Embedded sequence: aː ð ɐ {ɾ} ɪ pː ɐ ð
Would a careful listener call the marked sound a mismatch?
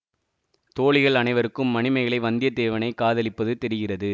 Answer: yes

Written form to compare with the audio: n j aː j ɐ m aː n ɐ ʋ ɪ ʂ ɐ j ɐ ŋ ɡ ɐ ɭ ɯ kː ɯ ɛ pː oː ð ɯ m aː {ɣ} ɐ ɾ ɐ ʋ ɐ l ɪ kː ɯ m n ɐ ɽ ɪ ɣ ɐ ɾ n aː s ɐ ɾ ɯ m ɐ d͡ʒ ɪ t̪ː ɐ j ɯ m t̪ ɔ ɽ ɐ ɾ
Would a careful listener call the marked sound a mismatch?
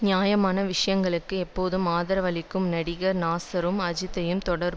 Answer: yes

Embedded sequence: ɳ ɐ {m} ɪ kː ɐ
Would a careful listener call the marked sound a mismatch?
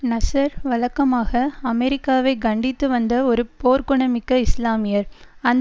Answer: no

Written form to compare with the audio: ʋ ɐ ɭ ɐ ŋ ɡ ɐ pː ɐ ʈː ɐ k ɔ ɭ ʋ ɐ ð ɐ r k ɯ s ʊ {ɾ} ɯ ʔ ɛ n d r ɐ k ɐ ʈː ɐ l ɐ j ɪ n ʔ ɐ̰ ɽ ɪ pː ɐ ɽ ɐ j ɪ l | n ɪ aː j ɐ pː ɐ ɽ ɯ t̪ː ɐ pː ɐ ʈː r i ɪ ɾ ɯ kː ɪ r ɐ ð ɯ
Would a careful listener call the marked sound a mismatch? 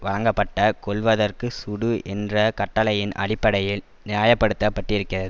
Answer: yes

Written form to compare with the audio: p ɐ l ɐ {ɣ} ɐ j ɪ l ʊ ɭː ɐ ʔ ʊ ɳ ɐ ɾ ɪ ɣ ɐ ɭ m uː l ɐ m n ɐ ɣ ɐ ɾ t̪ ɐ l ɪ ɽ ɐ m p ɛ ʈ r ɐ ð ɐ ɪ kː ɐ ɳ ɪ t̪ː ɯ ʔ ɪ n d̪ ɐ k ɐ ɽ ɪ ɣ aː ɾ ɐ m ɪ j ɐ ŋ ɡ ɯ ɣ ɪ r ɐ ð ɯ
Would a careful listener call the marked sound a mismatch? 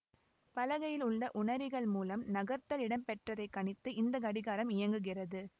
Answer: no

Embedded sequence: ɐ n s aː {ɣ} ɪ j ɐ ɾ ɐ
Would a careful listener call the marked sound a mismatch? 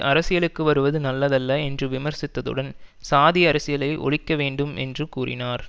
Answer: yes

